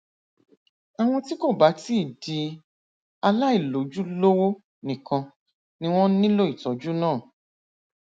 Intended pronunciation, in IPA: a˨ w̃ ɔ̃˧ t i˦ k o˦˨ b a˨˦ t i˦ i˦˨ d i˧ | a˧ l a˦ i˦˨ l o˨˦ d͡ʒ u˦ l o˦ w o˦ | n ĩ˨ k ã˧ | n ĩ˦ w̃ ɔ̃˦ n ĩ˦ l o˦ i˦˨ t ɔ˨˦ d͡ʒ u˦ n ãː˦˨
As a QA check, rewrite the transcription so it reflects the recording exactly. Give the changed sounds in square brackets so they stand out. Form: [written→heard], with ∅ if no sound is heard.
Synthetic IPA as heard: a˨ w̃ ɔ̃˧ t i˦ k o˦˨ b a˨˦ t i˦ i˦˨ d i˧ | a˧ l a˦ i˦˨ l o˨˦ d͡ʒ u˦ l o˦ w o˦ | n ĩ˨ k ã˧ | n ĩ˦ w̃ ɔ̃˦ n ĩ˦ l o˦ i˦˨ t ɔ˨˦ d͡ʒ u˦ n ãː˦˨